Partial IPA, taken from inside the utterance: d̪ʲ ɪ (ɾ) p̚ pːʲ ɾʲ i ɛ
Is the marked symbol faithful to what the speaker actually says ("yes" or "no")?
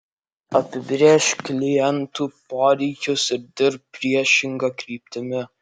yes